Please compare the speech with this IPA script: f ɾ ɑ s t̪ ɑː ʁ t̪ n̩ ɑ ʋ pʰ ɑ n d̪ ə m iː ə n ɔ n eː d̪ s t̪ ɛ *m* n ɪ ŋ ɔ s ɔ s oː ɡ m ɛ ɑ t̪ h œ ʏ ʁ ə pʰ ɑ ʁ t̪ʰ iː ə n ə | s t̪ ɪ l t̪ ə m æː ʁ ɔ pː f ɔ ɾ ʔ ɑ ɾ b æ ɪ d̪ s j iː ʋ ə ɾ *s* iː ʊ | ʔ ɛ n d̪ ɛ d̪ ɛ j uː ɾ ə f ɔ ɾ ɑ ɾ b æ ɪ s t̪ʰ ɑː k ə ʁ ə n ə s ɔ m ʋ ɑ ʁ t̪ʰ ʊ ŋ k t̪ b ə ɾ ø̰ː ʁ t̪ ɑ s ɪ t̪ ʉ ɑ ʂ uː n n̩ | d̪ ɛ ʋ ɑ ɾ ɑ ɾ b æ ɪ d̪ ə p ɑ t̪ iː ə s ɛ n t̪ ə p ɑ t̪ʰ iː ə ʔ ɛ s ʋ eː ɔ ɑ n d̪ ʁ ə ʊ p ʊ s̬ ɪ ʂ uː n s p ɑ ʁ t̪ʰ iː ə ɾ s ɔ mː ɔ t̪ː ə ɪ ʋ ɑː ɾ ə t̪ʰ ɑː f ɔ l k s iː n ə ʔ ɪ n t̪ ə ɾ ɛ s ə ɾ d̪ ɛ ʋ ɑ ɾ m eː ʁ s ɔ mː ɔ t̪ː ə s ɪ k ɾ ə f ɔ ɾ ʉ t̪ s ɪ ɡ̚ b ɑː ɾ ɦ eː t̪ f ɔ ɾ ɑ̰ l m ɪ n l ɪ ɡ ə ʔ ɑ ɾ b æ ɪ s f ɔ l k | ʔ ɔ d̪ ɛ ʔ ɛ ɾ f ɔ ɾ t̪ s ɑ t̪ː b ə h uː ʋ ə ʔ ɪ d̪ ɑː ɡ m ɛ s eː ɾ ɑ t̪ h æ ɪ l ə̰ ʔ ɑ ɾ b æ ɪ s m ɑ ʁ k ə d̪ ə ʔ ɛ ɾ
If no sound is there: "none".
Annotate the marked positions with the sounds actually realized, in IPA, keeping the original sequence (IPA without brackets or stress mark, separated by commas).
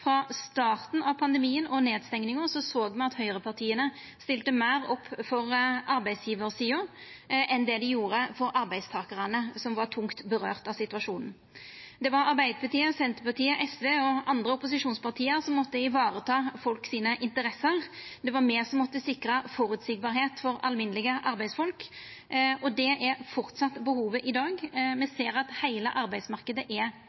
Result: ŋ, s